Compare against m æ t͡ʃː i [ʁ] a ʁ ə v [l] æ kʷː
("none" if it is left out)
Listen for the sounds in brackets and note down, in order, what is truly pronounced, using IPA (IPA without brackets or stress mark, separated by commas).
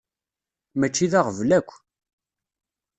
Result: ð, l